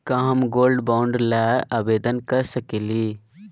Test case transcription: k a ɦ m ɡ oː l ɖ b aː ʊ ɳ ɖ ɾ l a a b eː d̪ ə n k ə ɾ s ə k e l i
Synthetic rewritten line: k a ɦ m ɡ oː l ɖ b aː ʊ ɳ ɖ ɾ l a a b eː d̪ ə n k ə ɾ s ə k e l i